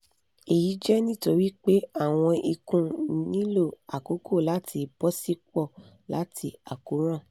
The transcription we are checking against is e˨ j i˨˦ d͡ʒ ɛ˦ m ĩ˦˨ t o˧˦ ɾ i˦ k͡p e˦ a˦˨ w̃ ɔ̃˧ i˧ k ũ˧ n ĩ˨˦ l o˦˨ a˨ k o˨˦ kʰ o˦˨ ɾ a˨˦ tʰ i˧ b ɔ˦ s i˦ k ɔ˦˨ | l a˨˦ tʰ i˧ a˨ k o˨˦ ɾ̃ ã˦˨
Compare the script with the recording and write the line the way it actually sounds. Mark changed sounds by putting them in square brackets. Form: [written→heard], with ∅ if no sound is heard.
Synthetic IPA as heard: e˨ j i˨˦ d͡ʒ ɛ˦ [m→n] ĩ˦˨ t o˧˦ ɾ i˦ k͡p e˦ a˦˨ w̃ ɔ̃˧ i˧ k ũ˧ n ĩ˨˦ l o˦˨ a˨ k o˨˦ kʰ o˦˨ [ɾ→l] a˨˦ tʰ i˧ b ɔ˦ s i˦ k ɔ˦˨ | l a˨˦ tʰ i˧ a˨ k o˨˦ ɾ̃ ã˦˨